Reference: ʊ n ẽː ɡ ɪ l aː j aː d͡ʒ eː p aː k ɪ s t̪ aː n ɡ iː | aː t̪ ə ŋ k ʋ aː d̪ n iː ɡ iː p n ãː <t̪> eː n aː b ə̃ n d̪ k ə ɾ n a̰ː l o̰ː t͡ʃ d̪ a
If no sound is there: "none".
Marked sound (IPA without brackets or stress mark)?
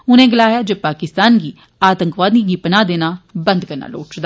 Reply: d̪